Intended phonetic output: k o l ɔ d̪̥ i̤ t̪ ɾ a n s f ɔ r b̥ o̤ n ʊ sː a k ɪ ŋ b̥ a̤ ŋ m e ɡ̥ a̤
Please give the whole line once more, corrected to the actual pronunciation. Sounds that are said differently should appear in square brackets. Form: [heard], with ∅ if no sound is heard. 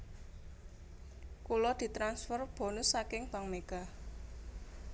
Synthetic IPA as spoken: k [u] l ɔ d̪̥ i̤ t̪ ɾ a n s f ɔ r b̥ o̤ n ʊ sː a k ɪ ŋ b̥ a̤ ŋ m e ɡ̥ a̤